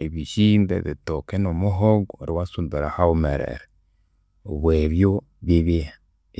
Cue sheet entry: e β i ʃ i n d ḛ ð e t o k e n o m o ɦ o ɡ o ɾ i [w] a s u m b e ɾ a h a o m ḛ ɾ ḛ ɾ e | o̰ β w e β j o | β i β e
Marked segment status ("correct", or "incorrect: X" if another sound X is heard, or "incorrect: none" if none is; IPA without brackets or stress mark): correct